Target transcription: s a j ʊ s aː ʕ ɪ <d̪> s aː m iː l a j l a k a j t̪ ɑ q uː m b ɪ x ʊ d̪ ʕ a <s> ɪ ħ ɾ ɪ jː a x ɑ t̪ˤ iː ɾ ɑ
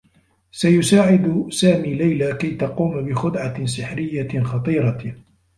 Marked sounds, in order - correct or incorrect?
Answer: correct, correct

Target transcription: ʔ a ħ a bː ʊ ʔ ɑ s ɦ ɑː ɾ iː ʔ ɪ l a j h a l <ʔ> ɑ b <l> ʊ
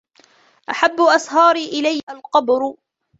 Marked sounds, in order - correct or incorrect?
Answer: incorrect, incorrect

